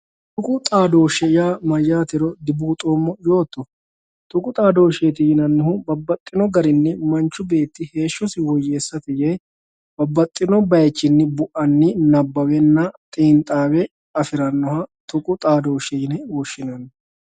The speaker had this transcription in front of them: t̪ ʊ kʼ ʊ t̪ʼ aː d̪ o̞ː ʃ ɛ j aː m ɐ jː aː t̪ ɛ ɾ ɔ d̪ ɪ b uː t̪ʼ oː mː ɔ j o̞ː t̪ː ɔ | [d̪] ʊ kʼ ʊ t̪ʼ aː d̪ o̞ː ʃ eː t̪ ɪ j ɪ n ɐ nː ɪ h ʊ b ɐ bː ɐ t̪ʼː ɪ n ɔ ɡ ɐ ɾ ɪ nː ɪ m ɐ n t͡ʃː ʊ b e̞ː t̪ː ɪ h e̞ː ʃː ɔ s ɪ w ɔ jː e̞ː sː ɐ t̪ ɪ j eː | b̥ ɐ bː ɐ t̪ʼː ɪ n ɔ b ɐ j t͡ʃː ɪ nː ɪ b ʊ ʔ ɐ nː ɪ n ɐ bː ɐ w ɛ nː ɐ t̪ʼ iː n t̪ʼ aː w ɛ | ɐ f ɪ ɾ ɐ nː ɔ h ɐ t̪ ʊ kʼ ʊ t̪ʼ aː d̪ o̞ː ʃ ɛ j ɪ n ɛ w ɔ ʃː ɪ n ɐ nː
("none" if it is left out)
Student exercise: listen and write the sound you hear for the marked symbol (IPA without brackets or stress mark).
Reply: t̪